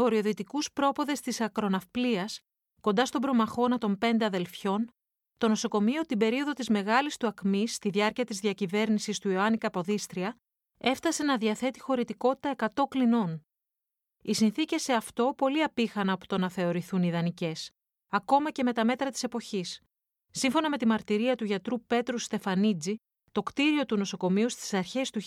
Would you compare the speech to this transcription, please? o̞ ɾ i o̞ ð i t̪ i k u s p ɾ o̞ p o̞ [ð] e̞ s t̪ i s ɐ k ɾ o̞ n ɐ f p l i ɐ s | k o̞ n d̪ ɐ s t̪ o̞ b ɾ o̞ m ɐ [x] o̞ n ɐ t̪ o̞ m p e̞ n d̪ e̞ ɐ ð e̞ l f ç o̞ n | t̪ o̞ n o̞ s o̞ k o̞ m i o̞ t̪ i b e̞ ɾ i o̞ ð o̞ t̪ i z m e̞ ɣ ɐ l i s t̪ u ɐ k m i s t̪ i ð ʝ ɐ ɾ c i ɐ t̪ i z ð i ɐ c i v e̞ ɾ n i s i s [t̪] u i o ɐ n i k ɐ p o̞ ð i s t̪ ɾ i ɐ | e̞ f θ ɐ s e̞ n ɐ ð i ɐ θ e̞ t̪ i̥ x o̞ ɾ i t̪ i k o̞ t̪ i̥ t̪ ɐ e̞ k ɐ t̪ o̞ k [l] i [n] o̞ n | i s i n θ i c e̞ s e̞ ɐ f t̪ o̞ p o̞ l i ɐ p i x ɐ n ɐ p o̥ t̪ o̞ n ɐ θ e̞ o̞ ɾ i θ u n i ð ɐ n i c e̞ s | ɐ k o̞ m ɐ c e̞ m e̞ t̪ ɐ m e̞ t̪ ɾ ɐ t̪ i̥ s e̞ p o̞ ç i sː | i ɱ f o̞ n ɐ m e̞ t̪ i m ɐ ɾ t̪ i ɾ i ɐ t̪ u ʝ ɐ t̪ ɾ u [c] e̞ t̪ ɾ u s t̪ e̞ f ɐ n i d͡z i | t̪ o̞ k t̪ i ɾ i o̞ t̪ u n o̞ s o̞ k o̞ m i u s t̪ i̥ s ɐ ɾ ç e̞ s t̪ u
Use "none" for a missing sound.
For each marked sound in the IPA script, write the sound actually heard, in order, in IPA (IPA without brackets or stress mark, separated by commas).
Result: ð, x, t̪, l, n, p